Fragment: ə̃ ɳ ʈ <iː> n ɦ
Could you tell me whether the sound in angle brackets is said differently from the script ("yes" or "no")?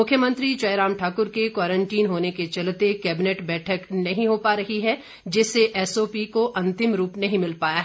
no